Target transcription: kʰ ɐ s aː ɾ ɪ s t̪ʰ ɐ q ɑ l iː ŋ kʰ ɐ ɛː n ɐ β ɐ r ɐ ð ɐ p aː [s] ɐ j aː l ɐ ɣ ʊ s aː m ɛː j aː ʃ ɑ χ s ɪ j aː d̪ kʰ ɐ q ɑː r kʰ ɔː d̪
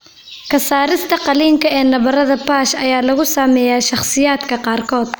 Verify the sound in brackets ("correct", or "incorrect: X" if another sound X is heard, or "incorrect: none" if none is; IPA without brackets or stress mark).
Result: incorrect: ʃ